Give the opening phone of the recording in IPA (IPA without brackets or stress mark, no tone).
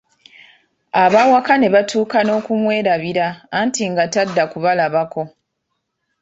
a